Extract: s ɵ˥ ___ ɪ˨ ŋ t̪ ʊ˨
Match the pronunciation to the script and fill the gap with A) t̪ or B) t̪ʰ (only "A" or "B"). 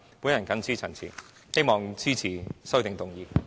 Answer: A